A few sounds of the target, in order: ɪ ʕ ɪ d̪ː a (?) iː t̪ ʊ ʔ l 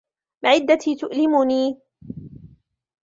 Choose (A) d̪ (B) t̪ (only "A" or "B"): B